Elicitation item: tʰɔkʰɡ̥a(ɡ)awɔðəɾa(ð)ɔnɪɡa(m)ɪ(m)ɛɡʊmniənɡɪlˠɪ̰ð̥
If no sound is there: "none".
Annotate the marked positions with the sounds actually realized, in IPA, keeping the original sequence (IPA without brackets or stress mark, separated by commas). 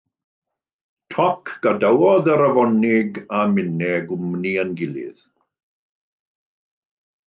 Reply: d, v, m, n